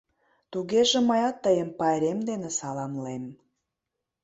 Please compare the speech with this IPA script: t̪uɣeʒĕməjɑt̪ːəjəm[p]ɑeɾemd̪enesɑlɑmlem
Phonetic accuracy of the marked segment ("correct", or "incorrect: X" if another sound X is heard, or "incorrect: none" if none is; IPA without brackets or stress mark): correct